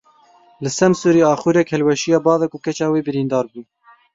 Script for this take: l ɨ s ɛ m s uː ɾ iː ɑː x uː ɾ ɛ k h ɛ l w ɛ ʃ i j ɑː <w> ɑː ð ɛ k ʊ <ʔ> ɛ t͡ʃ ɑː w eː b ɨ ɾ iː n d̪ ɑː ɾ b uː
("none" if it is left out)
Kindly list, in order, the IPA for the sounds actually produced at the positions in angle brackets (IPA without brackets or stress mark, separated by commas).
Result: b, k